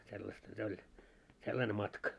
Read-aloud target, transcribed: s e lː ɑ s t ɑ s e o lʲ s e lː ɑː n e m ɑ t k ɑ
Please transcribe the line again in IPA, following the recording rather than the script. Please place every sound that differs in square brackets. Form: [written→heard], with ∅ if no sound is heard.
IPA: s e lː ɑ s t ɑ s e o lʲ s e lː [ɑː→ɑ] n e m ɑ t k ɑ